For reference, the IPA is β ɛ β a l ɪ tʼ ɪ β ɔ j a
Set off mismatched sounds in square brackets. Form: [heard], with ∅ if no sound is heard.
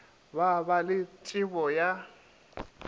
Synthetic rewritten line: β [a] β a l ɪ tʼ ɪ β ɔ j a